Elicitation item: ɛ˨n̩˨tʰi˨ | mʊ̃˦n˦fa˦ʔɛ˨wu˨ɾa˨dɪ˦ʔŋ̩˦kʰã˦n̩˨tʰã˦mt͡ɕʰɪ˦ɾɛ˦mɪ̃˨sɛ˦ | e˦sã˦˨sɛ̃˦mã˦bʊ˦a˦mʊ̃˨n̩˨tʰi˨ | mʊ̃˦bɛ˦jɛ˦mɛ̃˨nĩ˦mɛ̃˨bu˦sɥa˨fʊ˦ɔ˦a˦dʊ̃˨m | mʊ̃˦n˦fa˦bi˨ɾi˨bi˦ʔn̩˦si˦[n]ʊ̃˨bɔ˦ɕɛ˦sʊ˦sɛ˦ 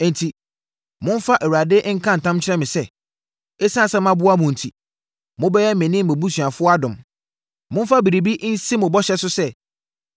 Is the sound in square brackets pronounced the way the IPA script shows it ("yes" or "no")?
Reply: no